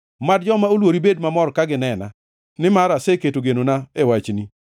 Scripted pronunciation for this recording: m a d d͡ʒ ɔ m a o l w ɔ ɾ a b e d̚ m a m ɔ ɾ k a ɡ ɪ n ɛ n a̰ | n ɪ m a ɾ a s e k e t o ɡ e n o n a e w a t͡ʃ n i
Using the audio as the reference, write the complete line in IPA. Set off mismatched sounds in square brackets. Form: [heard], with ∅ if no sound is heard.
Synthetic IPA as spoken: m a d d͡ʒ ɔ m a o l w [o] ɾ [i] b e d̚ m a m ɔ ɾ k a ɡ ɪ n ɛ n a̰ | n ɪ m a ɾ a s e k e t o ɡ e n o n a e w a t͡ʃ n i